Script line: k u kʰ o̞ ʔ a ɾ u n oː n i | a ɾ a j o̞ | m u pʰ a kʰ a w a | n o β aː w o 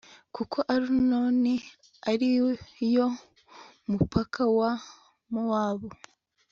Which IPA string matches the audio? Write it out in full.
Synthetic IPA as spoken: k u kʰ o̞ ʔ a ɾ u n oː n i | a ɾ i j o̞ | m u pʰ a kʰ a w a | m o w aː β o